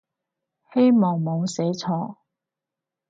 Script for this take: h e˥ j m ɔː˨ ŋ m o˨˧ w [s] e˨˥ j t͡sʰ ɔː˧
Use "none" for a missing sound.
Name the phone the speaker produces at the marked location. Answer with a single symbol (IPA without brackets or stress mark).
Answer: s